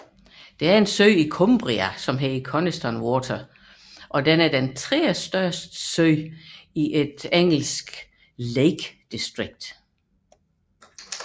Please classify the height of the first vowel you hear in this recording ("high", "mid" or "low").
mid